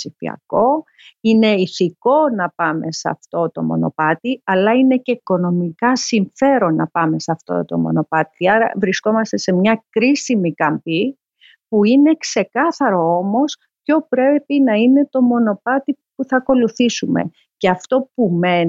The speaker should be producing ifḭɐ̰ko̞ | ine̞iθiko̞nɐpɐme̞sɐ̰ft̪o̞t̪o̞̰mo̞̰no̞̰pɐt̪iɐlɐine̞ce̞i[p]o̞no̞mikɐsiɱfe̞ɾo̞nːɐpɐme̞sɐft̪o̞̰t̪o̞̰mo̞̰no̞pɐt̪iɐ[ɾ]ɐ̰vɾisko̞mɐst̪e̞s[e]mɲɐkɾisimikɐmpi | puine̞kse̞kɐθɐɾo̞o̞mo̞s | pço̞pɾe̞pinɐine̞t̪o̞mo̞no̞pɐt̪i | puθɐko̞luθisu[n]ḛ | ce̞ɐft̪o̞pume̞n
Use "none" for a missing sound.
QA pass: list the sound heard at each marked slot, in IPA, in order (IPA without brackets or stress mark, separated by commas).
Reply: k, ɾ, e, m